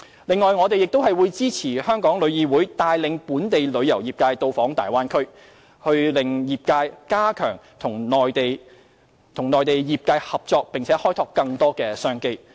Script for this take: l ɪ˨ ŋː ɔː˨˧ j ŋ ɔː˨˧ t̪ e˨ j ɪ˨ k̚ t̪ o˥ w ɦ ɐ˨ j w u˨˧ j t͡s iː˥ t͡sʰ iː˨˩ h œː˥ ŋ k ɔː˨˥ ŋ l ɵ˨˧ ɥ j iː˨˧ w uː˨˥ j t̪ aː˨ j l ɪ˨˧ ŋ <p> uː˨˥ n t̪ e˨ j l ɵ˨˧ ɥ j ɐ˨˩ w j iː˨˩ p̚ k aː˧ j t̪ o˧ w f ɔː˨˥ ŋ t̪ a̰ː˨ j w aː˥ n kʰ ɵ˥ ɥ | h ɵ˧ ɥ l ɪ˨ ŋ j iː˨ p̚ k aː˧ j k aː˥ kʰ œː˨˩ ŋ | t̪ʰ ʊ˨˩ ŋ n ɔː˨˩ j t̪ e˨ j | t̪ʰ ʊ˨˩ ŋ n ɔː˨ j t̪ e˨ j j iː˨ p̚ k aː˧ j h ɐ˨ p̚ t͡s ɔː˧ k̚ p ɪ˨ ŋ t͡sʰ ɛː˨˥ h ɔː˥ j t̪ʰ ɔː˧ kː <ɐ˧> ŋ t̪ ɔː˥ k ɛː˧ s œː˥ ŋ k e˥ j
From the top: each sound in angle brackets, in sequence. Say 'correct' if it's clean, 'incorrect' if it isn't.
correct, correct

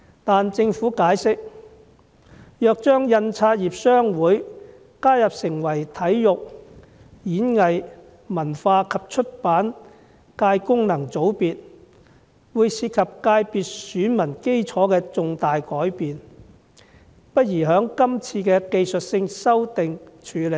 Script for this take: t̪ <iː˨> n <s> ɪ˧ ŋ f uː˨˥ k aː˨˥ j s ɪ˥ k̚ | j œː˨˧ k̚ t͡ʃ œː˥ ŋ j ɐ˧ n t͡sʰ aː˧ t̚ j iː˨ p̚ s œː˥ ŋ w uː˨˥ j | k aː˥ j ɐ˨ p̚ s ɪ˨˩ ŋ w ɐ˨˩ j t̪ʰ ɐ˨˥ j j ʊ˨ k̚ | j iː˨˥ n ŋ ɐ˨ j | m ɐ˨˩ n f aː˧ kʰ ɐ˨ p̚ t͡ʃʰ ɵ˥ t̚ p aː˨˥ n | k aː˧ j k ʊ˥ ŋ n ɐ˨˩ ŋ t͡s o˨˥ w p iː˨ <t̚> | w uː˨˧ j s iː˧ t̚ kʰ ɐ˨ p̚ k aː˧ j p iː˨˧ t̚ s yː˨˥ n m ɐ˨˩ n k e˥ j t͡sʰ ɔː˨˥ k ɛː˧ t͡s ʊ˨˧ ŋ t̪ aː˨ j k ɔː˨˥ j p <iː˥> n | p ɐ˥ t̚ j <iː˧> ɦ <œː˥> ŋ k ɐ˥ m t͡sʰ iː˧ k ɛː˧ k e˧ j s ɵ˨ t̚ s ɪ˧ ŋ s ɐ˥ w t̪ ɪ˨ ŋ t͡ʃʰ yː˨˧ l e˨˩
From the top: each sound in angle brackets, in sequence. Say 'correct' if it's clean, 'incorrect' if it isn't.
incorrect: aː˨, incorrect: t͡s, correct, incorrect: iː˨, incorrect: iː˨˩, incorrect: œː˨˥

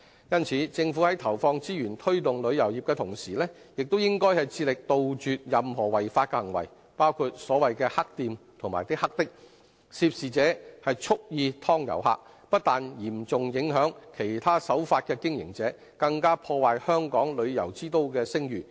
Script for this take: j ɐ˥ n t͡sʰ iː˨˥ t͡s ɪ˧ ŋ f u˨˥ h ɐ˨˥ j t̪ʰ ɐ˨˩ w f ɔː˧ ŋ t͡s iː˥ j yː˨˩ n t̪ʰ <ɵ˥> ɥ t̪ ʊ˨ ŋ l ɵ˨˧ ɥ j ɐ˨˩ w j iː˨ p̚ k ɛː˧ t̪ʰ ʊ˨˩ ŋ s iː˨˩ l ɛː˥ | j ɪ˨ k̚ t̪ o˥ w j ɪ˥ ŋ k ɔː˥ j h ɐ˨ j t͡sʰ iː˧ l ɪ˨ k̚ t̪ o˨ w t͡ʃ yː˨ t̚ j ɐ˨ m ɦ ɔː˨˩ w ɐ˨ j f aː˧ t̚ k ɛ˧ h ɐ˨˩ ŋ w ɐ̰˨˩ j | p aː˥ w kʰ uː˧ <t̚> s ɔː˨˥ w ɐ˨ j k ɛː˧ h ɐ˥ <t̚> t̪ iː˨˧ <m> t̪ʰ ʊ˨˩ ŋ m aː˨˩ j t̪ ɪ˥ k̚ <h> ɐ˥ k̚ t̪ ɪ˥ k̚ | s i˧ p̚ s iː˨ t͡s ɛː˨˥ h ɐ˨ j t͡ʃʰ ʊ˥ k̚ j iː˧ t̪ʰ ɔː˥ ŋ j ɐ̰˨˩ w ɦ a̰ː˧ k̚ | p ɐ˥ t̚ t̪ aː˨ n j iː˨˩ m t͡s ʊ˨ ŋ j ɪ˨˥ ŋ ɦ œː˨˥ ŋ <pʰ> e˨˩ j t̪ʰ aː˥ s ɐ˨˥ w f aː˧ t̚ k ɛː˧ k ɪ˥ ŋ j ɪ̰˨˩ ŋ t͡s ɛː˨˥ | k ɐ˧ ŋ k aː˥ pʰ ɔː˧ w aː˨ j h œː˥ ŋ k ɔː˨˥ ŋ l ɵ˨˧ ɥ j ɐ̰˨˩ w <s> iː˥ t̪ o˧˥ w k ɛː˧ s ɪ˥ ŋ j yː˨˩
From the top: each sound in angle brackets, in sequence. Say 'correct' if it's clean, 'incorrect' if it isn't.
correct, correct, incorrect: k̚, correct, correct, incorrect: kʰ, incorrect: t͡s

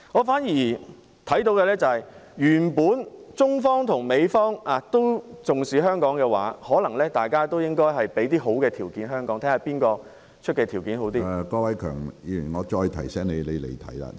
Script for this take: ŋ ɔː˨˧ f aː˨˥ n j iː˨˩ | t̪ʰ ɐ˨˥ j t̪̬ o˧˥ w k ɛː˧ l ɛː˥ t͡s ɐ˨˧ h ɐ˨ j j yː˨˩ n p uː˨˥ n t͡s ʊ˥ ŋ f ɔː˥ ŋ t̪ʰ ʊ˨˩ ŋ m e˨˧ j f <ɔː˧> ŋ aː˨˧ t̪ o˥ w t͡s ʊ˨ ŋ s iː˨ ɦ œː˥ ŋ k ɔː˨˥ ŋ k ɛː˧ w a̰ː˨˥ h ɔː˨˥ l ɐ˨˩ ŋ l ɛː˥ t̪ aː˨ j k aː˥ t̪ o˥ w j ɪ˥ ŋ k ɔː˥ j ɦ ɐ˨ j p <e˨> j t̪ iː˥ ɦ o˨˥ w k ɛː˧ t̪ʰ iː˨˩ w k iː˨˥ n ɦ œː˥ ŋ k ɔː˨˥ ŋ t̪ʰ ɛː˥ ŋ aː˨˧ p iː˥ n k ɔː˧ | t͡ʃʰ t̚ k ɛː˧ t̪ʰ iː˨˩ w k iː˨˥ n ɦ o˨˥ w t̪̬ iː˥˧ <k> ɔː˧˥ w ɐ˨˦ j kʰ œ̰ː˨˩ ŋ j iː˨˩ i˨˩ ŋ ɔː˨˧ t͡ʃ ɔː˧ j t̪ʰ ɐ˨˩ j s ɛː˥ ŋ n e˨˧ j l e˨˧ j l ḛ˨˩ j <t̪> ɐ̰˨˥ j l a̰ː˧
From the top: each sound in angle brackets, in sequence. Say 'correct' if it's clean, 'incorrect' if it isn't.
incorrect: ɔː˥, incorrect: e˨˥, correct, incorrect: t̪ʰ

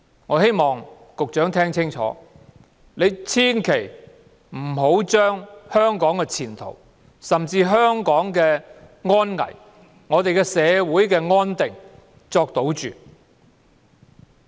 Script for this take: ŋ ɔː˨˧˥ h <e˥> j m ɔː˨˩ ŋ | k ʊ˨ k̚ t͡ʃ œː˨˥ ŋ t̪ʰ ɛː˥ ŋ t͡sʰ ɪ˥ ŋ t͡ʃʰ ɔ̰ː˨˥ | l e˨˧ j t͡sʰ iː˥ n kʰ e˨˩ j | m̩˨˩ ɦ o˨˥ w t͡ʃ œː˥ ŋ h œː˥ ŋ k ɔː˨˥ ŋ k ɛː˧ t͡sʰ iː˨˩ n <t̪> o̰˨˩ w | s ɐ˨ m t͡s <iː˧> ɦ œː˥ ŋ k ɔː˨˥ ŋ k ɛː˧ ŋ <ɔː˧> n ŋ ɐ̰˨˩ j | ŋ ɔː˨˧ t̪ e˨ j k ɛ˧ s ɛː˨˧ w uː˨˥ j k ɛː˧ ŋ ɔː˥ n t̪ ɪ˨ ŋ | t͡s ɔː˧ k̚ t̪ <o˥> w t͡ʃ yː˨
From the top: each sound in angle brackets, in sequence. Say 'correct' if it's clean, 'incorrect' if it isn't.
correct, incorrect: t̪ʰ, correct, incorrect: ɔː˥, incorrect: o˨˥

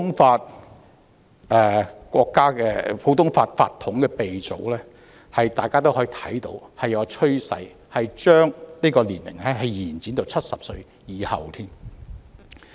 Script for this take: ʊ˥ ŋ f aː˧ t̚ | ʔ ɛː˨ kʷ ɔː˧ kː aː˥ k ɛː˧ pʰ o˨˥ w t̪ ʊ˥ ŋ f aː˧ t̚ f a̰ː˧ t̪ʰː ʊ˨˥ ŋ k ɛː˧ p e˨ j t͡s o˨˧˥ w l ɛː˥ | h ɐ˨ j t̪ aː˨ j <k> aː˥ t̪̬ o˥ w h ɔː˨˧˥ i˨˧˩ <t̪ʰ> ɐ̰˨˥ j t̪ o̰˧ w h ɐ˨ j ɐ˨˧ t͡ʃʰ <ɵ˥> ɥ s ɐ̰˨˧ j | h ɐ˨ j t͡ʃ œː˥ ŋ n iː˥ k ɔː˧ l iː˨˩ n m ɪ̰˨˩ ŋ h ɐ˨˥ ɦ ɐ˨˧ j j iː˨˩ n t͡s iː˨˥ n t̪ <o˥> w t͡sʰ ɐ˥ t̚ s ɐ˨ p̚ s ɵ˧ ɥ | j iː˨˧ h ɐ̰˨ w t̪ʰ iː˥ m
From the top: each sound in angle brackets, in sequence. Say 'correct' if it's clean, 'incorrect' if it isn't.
correct, correct, correct, incorrect: o˨˧

